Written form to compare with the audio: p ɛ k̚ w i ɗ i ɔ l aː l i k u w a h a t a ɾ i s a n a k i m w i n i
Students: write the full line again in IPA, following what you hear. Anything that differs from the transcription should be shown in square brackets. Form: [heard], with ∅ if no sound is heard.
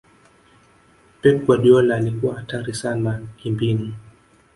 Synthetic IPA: p ɛ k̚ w [a] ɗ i ɔ l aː l i k u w a h a t a ɾ i s a n a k i m [b] i n i